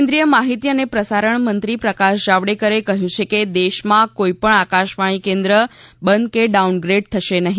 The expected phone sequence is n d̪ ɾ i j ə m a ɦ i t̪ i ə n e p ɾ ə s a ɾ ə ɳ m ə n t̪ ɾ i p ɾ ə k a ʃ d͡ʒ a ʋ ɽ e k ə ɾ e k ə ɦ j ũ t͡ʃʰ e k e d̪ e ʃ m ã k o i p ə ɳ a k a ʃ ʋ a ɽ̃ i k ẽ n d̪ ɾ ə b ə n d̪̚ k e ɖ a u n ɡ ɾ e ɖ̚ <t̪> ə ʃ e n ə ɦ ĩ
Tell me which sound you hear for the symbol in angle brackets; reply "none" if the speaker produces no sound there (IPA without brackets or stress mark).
t̪ʰ